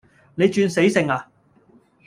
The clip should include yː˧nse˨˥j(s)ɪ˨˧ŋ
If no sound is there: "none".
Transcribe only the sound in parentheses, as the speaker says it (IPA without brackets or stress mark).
s